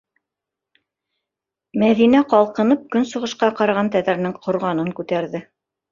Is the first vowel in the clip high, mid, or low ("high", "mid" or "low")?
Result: low